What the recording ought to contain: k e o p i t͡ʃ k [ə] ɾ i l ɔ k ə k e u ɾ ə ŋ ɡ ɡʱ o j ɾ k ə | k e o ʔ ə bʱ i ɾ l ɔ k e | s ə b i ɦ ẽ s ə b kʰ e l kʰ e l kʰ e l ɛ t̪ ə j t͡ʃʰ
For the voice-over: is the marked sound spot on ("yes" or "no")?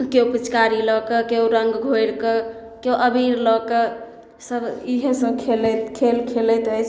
no